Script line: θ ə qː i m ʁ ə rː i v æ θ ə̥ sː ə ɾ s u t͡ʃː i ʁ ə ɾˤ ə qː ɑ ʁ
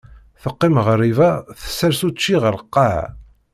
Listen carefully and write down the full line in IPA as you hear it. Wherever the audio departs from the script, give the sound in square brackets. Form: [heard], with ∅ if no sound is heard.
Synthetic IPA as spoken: θ ə qː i m ʁ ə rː i v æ θ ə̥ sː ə ɾ s u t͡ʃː i ʁ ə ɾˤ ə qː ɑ [ʕ]